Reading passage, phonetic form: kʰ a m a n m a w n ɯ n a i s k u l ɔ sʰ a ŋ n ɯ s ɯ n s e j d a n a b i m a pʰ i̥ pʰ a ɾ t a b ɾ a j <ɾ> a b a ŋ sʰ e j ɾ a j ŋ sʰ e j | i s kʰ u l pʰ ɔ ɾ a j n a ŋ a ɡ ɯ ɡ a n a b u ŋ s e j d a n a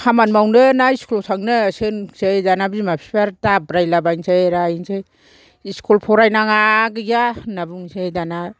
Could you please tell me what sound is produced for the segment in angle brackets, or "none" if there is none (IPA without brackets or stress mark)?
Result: l